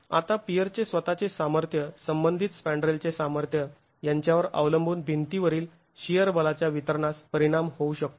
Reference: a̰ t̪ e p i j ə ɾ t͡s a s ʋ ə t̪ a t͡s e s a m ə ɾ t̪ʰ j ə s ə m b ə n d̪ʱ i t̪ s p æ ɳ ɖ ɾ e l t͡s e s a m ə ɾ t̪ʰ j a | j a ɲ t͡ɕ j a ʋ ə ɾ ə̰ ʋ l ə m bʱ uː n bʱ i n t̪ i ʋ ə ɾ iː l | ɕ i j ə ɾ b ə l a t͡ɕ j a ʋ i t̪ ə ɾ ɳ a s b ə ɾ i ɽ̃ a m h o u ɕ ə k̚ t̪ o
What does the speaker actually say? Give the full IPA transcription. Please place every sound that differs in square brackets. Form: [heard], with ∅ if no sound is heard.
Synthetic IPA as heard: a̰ t̪ [a] p i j ə ɾ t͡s [e] s ʋ ə t̪ a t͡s e s a m ə ɾ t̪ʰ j ə s ə m b ə n d̪ʱ i t̪ s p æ ɳ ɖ ɾ e l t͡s e s a m ə ɾ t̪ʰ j [ə] | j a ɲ t͡ɕ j a ʋ ə ɾ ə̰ ʋ l ə m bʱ uː n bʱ i n t̪ i ʋ ə ɾ iː l | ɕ i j ə ɾ b ə l a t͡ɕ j a ʋ i t̪ ə ɾ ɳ a s [p] ə ɾ i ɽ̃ a m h o u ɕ ə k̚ t̪ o